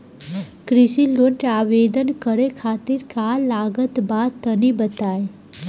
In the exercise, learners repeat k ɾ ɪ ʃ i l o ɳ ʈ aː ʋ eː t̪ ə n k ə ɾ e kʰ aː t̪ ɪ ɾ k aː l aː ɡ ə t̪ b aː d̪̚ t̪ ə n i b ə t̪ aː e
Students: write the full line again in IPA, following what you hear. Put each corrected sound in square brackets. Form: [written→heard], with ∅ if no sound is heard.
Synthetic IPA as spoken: k ɾ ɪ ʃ i l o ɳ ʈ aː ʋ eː [t̪→d̪] ə n k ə ɾ e kʰ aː t̪ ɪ ɾ k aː l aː ɡ ə t̪ b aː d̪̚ t̪ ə n i b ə t̪ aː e